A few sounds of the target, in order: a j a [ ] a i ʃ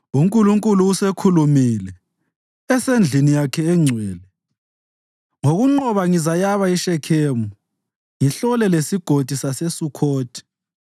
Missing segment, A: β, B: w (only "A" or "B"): A